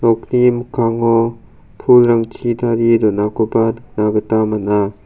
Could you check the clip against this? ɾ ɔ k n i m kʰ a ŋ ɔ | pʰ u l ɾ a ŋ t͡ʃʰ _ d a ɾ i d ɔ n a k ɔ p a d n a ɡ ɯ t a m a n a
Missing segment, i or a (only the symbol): i